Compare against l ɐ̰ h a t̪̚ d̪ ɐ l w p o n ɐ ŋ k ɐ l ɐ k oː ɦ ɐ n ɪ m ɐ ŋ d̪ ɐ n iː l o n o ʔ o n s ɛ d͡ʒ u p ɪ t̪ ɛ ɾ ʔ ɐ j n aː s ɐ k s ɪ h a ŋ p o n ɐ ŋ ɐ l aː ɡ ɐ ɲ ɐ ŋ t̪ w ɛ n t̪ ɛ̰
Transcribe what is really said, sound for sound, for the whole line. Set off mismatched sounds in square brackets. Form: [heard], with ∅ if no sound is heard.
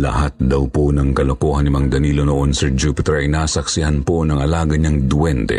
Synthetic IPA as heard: l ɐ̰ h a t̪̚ d̪ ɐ [∅] w p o n ɐ ŋ k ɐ l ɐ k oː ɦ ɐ n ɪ m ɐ ŋ d̪ ɐ n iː l o n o ʔ o n s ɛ d͡ʒ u p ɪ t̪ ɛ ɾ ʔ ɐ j n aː s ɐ k s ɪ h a [n] p o n ɐ ŋ ɐ l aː ɡ ɐ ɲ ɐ ŋ [d̪] w ɛ n t̪ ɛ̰